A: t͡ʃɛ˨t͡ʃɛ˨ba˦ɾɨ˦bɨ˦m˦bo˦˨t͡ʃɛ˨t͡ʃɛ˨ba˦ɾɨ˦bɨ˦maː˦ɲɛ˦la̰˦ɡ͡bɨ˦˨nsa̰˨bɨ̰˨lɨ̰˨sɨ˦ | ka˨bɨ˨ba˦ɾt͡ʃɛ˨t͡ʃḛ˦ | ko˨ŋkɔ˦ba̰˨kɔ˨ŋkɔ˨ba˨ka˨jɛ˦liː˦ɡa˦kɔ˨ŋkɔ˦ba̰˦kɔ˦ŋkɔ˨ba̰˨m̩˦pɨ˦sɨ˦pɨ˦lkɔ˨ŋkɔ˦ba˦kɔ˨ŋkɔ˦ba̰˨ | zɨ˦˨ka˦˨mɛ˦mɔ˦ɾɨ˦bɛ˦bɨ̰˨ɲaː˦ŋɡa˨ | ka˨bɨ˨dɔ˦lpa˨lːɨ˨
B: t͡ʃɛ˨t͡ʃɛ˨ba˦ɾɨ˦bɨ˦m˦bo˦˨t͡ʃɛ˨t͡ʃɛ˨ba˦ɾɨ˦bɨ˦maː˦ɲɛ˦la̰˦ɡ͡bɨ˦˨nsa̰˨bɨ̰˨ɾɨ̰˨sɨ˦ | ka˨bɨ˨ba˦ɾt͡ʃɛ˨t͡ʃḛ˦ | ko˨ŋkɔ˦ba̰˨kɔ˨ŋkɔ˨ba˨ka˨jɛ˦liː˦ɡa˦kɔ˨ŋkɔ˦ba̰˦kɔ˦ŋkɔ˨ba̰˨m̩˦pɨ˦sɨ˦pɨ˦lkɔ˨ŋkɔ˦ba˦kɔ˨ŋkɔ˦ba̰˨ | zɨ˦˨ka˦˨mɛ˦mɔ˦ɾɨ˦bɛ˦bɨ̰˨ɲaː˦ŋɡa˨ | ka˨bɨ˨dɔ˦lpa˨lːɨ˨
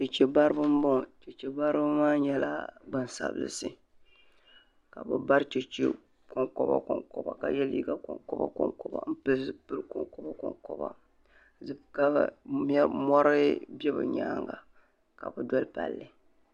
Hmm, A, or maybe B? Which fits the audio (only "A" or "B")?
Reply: A